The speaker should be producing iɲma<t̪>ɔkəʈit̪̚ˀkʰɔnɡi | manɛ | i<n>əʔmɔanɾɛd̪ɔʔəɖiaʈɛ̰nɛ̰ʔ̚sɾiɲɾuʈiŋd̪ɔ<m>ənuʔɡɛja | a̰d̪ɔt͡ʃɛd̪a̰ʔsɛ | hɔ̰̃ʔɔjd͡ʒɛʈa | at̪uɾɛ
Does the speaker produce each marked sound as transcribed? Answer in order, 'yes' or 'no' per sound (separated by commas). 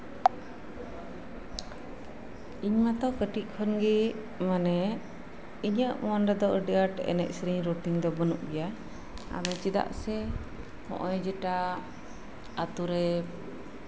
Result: yes, no, no